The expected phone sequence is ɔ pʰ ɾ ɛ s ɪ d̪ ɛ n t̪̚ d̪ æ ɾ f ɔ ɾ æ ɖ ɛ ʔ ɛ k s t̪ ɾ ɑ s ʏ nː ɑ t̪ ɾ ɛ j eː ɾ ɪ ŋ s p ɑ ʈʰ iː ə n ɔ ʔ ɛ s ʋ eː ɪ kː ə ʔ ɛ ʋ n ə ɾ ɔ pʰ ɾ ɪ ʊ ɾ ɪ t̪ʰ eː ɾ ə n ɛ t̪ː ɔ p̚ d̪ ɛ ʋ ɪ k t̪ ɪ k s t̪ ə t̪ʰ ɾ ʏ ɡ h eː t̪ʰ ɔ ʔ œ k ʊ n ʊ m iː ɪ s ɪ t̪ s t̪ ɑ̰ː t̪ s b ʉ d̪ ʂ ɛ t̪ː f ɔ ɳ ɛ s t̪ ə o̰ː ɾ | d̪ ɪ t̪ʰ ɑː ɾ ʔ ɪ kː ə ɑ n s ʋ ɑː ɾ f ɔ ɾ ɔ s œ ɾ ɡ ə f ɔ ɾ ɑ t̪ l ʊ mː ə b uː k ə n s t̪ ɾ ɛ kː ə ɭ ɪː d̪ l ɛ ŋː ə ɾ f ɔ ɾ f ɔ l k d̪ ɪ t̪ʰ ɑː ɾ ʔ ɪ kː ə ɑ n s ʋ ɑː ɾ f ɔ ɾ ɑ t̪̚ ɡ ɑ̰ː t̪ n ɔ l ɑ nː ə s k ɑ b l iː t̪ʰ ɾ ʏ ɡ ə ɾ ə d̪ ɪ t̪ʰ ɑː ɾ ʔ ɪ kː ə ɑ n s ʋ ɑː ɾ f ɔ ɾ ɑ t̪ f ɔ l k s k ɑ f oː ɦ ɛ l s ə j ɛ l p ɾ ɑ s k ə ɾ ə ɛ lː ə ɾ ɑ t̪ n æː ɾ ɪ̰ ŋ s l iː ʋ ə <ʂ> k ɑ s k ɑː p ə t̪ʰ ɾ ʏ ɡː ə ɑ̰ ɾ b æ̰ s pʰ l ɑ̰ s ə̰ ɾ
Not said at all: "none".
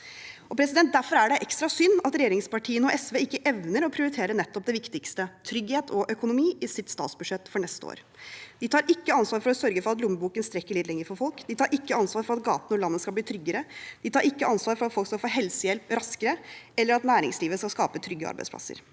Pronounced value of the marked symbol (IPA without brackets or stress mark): s